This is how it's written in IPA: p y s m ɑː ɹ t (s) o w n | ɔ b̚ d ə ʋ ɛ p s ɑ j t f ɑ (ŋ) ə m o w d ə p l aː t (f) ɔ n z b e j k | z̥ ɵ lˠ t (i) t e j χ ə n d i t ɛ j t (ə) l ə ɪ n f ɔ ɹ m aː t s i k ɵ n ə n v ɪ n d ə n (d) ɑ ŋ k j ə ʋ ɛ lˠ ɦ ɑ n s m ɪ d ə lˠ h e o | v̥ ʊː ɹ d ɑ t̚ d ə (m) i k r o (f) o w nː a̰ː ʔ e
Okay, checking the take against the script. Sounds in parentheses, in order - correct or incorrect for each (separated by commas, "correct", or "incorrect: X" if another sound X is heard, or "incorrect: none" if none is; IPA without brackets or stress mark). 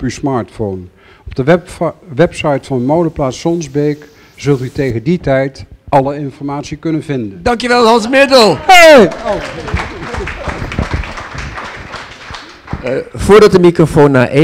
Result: incorrect: f, incorrect: n, incorrect: s, incorrect: y, incorrect: ɑ, correct, correct, correct